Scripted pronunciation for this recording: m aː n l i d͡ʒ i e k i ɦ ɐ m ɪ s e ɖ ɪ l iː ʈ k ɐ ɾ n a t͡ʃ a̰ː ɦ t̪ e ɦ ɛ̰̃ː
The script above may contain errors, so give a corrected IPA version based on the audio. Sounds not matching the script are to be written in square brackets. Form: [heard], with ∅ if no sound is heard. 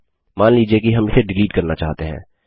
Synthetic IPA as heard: m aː n l [iː] d͡ʒ i e k i ɦ ɐ m ɪ s e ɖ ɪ l iː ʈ k ɐ ɾ n a t͡ʃ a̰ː ɦ t̪ e ɦ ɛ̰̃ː